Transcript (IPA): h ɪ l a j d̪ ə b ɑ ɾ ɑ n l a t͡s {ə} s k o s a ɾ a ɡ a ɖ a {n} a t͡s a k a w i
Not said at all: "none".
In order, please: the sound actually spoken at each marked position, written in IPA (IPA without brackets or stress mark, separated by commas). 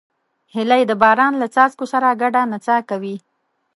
ɑ, n